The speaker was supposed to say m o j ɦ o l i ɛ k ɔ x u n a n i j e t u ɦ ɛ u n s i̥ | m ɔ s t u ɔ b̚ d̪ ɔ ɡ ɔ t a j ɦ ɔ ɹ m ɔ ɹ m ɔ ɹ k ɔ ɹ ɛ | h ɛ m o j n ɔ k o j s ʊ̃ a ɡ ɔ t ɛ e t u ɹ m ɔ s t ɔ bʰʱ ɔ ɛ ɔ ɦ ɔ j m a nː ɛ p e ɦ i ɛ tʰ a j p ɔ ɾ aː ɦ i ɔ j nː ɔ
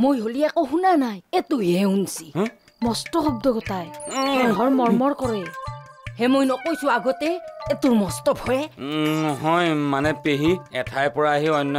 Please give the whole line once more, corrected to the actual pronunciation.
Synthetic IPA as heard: m o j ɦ o l i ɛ k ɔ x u n a n a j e t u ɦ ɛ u n s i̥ | m ɔ s t ɔ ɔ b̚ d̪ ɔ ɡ ɔ t a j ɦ ɔ ɹ m ɔ ɹ m ɔ ɹ k ɔ ɹ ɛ | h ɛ m o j n ɔ k o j s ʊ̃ a ɡ ɔ t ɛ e t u ɹ m ɔ s t ɔ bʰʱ ɔ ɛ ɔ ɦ ɔ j m a n ɛ p e ɦ i ɛ tʰ a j p ɔ ɹ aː ɦ i ɔ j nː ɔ